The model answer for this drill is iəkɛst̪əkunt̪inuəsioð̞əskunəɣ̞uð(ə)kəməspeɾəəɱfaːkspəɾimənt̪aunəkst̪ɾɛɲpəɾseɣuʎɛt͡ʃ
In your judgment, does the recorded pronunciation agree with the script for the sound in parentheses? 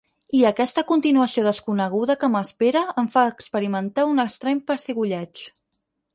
yes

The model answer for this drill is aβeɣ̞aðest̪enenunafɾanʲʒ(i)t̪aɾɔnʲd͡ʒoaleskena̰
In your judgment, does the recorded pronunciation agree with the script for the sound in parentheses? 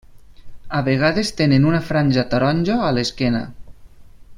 no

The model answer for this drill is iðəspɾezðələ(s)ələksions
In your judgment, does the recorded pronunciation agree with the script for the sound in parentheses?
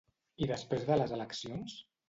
no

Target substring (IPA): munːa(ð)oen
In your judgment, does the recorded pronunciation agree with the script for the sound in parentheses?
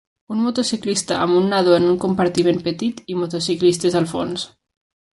yes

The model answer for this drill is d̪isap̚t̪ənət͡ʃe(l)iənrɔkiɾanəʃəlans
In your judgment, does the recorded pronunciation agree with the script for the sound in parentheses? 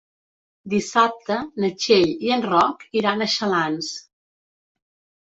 no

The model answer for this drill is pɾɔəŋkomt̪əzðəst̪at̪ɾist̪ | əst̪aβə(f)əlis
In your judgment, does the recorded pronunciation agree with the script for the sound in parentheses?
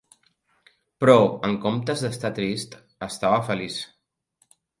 yes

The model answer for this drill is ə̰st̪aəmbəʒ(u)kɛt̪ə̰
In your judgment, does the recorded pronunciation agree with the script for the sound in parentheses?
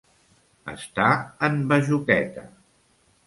yes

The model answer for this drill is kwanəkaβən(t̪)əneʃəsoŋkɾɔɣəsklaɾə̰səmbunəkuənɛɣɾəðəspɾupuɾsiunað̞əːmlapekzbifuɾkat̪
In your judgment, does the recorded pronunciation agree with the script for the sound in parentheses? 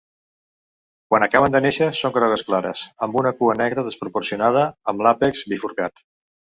no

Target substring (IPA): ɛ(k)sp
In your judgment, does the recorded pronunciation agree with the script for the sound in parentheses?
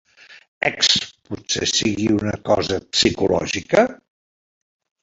yes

